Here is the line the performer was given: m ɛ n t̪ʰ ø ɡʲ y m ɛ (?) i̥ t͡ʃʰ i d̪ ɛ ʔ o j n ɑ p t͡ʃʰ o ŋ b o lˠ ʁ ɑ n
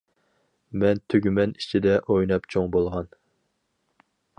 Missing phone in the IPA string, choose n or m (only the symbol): n